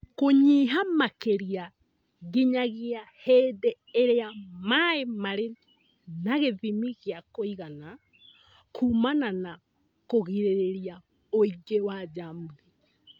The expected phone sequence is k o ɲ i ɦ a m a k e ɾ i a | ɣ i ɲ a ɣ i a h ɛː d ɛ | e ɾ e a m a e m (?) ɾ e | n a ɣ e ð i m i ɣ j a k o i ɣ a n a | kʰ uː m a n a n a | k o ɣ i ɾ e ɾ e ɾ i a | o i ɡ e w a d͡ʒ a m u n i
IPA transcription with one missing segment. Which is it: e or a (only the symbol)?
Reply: a